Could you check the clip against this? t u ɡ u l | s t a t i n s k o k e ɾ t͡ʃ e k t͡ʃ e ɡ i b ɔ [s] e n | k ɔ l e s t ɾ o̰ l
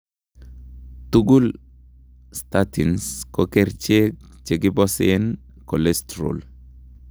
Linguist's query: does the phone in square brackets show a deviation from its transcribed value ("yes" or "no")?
no